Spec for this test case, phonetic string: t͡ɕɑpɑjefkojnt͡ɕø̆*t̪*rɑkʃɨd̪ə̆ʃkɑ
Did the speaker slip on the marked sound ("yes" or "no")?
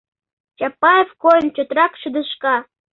no